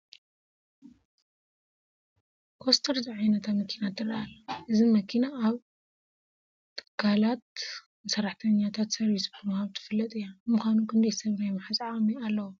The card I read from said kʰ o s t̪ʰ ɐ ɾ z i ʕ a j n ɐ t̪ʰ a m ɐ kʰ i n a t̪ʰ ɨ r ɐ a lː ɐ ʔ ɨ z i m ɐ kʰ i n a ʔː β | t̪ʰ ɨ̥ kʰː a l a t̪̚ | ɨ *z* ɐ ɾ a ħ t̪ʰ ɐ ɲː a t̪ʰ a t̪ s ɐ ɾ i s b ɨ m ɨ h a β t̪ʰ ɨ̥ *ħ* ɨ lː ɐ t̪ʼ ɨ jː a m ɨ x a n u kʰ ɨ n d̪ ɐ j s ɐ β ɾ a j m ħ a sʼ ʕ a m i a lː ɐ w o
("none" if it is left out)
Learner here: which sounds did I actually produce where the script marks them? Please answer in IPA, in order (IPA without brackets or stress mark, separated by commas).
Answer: s, f